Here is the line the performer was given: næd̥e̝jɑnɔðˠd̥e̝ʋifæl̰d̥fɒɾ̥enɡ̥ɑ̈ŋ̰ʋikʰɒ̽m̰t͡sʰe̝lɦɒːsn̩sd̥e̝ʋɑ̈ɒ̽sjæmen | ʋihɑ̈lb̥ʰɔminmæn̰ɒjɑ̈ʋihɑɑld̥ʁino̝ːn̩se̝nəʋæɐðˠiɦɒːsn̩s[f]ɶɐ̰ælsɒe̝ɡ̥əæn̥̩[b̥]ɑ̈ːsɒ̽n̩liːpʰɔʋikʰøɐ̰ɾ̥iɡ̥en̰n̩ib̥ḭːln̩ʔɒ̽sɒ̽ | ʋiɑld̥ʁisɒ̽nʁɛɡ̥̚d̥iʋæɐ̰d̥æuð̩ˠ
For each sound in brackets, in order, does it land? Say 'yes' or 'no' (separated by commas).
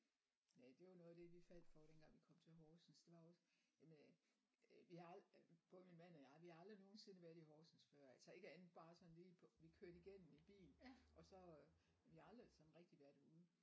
yes, yes